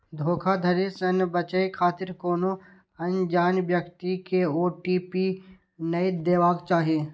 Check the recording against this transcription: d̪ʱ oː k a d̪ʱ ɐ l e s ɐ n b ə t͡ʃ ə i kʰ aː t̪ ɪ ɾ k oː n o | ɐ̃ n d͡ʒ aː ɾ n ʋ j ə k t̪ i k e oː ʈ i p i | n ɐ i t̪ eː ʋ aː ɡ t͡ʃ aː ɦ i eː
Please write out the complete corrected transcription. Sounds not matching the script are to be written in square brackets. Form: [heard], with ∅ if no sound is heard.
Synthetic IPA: d̪ʱ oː [kʰ] a d̪ʱ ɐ [ɾ] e s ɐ n b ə t͡ʃ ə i kʰ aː t̪ ɪ ɾ k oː n o | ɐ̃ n d͡ʒ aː [∅] n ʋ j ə k t̪ i k e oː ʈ i p i | n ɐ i [d̪] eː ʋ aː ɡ t͡ʃ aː ɦ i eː